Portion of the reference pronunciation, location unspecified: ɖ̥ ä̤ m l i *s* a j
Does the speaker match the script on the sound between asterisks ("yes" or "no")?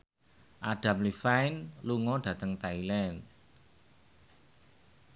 no